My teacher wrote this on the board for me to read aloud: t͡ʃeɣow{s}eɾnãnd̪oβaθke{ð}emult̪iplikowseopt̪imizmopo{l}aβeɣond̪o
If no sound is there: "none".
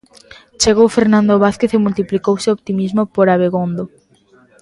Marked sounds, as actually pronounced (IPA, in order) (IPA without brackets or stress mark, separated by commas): f, θ, ɾ